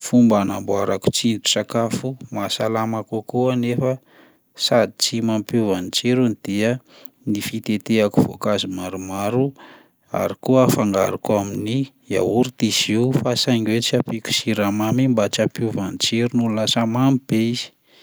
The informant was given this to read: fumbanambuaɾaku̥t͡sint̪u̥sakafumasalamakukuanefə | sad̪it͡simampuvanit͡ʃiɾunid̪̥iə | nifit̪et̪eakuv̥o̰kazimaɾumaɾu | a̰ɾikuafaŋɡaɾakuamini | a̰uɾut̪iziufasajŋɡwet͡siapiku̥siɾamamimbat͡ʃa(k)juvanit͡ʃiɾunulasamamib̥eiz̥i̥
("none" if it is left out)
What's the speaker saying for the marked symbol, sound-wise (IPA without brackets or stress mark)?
p